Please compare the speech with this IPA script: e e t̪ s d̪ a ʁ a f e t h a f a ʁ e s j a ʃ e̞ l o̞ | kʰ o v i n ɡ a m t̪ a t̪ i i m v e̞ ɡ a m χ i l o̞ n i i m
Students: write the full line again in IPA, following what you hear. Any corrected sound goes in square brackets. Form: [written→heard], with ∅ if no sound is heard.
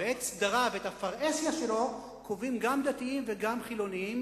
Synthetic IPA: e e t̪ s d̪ a ʁ a [f→v] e t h a f a ʁ e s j a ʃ e̞ l o̞ | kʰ o v i [n→m] ɡ a m [t̪→d̪] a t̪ i i m v e̞ ɡ a m χ i l o̞ n i i m